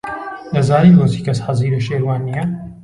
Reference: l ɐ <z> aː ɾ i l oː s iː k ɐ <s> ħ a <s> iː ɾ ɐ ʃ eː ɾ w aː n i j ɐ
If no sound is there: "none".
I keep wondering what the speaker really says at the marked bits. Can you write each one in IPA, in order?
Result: z, s, z

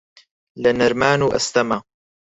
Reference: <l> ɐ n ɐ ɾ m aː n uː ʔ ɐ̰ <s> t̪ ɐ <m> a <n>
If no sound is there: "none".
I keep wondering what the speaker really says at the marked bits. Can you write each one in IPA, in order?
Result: l, s, m, none

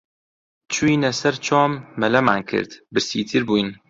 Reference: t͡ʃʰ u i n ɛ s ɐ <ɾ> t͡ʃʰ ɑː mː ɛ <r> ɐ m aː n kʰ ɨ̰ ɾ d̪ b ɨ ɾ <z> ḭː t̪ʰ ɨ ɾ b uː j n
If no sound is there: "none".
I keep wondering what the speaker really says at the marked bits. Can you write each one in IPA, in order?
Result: ɾ, l, s

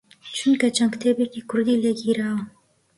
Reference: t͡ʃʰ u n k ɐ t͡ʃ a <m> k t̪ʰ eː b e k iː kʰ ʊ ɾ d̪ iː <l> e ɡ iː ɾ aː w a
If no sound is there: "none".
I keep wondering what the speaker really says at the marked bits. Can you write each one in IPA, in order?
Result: ŋ, l

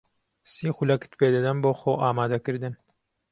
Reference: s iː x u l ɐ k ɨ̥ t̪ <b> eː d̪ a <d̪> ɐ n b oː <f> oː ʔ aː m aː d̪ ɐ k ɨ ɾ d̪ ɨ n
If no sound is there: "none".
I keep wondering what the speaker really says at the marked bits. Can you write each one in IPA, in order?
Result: p, d̪, x

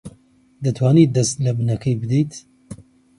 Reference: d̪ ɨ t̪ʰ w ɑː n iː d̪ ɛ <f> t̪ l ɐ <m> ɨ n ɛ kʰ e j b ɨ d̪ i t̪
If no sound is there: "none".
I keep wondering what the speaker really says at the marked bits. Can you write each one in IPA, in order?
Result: s, b

